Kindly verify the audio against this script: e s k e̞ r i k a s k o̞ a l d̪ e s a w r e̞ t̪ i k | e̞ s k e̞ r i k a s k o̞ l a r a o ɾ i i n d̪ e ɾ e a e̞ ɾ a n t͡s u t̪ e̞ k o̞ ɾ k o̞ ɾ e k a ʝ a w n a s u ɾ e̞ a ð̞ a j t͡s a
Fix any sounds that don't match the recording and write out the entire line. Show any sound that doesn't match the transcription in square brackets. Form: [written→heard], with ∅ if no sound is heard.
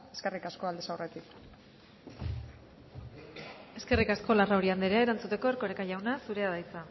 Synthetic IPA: e s k e̞ r i k a s k o̞ a l d̪ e s a w r e̞ t̪ i k | e̞ s k e̞ r i k a s k o̞ l a r a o ɾ i [i→a] n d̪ e ɾ e a e̞ ɾ a n t͡s u t̪ e̞ k o̞ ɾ k o̞ ɾ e k a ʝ a w n a s u ɾ e̞ a ð̞ a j t͡s a